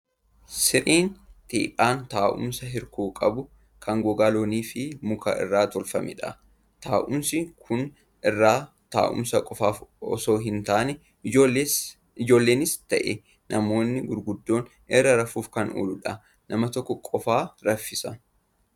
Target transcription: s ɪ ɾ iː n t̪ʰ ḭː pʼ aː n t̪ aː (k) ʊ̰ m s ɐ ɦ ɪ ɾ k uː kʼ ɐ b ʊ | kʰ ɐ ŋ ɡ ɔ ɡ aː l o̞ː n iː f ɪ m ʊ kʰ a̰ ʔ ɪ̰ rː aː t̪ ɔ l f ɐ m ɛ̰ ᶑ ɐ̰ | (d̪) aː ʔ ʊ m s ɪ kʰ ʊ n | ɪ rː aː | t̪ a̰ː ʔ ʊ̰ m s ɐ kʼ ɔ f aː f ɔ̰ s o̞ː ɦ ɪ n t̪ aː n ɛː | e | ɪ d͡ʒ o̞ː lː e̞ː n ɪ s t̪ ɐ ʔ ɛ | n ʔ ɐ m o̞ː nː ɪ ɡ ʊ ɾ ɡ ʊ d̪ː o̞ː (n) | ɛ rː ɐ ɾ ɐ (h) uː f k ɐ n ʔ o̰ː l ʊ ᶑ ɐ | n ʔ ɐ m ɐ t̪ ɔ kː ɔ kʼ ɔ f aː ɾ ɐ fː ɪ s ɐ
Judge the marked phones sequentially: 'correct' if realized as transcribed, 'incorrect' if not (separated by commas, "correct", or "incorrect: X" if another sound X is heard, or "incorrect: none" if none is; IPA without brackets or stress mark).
incorrect: ʔ, incorrect: t̪, correct, incorrect: f